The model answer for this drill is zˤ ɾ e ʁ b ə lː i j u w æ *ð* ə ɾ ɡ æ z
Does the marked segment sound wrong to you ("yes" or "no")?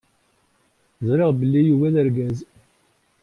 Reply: no